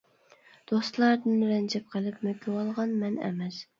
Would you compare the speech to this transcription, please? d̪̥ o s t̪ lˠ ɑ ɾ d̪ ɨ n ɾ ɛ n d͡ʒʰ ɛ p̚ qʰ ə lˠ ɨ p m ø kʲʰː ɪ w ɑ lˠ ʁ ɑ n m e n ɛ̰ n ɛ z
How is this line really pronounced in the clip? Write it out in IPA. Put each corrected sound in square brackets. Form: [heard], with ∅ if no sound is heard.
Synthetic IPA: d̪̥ o s t̪ lˠ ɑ ɾ d̪ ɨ n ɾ ɛ n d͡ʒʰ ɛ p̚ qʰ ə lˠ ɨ p m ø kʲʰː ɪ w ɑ lˠ ʁ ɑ n m [ɛ] n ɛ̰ [m] ɛ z